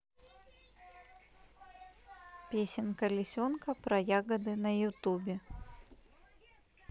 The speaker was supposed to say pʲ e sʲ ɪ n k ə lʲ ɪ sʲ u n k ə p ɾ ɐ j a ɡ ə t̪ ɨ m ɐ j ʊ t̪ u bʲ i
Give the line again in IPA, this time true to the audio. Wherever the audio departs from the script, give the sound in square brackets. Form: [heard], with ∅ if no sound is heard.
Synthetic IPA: pʲ e sʲ ɪ n k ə lʲ ɪ sʲ [o] n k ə p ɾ ɐ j a ɡ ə [d̪] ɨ [n] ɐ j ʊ t̪ u bʲ [ɪ]

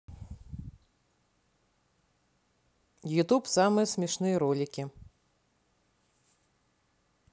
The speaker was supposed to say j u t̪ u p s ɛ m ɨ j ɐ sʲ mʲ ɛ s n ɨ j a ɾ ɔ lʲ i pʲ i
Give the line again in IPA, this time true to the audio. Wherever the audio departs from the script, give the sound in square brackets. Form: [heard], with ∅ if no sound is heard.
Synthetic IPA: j u t̪ u p s [a] m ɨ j ɐ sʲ mʲ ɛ [ʂ] n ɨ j [ɐ] ɾ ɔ lʲ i [kʲ] i

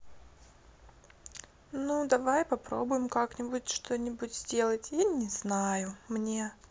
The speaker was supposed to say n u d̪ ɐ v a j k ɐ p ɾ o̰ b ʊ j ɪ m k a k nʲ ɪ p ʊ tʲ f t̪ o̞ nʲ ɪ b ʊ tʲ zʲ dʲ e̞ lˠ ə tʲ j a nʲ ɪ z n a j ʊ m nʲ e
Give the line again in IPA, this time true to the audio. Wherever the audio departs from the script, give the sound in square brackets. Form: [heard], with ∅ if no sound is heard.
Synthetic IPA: n u d̪ ɐ v a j [p] ɐ p ɾ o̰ b ʊ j ɪ m k a k nʲ ɪ [b] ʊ tʲ [ʂ] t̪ o̞ nʲ ɪ b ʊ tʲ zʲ dʲ e̞ lˠ ə tʲ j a nʲ ɪ z n a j ʊ m nʲ e

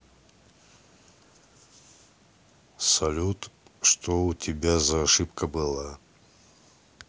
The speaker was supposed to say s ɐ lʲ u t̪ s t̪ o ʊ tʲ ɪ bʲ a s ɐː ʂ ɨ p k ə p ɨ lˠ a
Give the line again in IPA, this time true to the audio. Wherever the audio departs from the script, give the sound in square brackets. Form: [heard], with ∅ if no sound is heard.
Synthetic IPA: s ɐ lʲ u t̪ [ʂ] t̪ o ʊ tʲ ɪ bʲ a [z] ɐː ʂ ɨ p k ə [b] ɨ lˠ a

